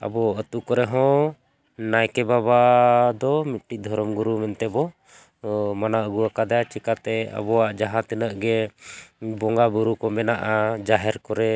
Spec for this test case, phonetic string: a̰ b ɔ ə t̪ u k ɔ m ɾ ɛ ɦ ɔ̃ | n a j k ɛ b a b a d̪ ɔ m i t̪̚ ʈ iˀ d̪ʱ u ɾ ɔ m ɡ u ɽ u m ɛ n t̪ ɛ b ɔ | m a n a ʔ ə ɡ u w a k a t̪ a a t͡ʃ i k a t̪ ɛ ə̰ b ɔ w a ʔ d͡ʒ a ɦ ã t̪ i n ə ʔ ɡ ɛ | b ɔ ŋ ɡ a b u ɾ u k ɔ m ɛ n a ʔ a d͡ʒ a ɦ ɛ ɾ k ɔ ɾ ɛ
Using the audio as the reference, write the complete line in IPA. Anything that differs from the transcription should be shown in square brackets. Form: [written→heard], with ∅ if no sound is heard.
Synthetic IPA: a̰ b ɔ ə t̪ u k ɔ [m→∅] ɾ ɛ ɦ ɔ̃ | n a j k ɛ b a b a d̪ ɔ m i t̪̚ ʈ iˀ d̪ʱ [u→ɔ] ɾ ɔ m ɡ u [ɽ→ɾ] u m ɛ n t̪ ɛ b ɔ | m a n a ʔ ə ɡ u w a k a [t̪→d̪] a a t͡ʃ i k a t̪ ɛ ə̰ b ɔ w a ʔ d͡ʒ a ɦ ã t̪ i n ə ʔ ɡ ɛ | b ɔ ŋ ɡ a b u ɾ u k ɔ m ɛ n a ʔ a d͡ʒ a ɦ ɛ ɾ k ɔ ɾ ɛ